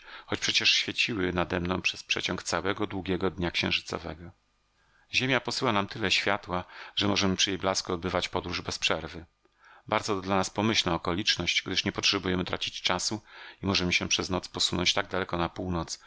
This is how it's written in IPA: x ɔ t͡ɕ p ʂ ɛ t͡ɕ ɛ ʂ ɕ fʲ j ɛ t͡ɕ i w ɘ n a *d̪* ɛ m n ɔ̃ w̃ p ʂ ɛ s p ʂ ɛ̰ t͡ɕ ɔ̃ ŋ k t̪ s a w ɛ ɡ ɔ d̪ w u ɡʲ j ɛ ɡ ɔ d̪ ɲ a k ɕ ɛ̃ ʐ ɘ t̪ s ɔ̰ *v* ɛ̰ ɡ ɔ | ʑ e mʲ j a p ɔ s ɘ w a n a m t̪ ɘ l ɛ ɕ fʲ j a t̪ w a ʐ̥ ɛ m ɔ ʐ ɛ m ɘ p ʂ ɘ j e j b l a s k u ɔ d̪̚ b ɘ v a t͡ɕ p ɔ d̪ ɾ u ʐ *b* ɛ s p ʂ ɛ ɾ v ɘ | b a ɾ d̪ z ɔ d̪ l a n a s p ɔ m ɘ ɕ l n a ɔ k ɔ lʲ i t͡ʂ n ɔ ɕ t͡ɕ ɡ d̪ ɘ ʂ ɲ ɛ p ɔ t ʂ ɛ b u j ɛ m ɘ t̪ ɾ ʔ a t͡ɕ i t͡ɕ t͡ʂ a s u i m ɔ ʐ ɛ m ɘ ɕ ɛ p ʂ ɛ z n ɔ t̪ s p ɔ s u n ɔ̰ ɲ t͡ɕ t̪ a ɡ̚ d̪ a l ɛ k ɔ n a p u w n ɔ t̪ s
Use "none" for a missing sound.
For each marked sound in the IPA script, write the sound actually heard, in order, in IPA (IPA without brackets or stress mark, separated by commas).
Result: d̪, v, b